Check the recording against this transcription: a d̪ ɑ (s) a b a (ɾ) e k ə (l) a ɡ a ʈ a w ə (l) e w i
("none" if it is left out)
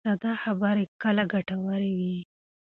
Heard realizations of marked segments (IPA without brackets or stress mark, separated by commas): x, ɾ, l, ɾ